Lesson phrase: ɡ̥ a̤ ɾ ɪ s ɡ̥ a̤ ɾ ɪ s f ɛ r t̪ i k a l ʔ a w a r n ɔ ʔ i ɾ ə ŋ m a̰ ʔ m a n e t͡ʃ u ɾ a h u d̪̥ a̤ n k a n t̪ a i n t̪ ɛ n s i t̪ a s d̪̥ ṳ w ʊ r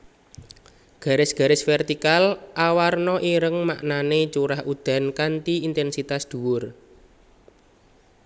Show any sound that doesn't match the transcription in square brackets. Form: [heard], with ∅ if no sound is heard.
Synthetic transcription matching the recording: ɡ̥ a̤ ɾ ɪ s ɡ̥ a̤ ɾ ɪ s f ɛ r t̪ i k a l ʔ a w a r n ɔ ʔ i ɾ ə ŋ m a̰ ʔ [n] a n e t͡ʃ u ɾ a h u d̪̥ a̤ n k a n t̪ [i] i n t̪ ɛ n s i t̪ a s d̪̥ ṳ w ʊ r